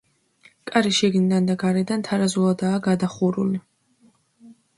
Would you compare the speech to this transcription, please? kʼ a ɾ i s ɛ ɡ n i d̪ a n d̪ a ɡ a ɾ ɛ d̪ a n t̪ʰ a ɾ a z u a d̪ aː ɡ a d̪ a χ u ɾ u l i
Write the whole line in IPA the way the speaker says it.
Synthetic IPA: kʼ a ɾ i ʃ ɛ ɡ n i d̪ a n d̪ a ɡ a ɾ ɛ d̪ a n t̪ʰ a ɾ a z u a d̪ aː ɡ a d̪ a χ u ɾ u l i